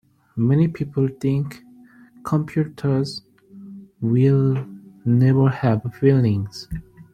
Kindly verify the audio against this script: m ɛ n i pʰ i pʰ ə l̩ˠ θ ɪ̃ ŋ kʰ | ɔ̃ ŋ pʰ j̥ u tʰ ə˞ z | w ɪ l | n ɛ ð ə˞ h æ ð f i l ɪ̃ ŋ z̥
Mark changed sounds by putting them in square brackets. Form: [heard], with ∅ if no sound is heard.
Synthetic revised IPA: m ɛ n i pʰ i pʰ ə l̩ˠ θ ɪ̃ ŋ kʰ | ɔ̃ [m] pʰ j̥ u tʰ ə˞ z | w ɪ l | n ɛ [v] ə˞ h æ [v] f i l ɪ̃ ŋ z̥